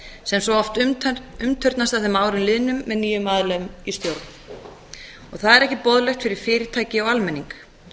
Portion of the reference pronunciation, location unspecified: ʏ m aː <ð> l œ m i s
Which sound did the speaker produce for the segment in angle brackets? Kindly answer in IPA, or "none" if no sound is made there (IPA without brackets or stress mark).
ð